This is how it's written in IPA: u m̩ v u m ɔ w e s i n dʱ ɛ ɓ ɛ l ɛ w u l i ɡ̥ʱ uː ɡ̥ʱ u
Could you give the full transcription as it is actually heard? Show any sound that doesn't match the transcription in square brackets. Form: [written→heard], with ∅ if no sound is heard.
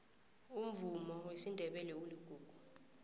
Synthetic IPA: u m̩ v u m ɔ w e s i n dʱ ɛ ɓ ɛ l ɛ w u l i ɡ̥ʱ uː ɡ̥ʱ u